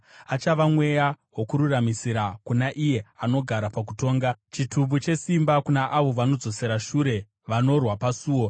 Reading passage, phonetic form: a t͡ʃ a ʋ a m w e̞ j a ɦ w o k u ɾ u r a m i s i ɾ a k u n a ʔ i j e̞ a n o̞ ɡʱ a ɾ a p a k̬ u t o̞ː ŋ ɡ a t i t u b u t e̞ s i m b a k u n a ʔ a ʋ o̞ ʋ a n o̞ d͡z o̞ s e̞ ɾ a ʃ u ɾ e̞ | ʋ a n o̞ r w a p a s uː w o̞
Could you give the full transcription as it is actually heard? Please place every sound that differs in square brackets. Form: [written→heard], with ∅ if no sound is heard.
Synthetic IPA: a t͡ʃ a ʋ a m w e̞ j a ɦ w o k u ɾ u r a m i s i ɾ a k u n a ʔ i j e̞ a n o̞ ɡʱ a ɾ a p a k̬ u t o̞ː ŋ ɡ a [t→t͡ʃ] i t u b u [t→t͡ʃ] e̞ s i m b a k u n a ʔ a ʋ o̞ ʋ a n o̞ d͡z o̞ s e̞ ɾ a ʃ u ɾ e̞ | ʋ a n o̞ r w a p a s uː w o̞

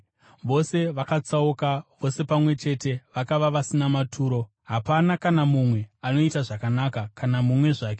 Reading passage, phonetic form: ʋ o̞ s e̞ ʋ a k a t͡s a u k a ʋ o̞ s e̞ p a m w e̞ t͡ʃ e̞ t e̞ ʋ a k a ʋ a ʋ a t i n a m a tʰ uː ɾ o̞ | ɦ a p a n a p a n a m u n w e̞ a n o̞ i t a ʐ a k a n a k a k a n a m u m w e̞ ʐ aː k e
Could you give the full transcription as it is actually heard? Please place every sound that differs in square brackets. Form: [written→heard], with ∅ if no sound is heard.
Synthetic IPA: ʋ o̞ s e̞ ʋ a k a t͡s a u k a ʋ o̞ s e̞ p a m w e̞ t͡ʃ e̞ t e̞ ʋ a k a ʋ a ʋ a [t→s] i n a m a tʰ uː ɾ o̞ | ɦ a p a n a [p→k] a n a m u [n→m] w e̞ a n o̞ i t a ʐ a k a n a k a k a n a m u m w e̞ ʐ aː k e

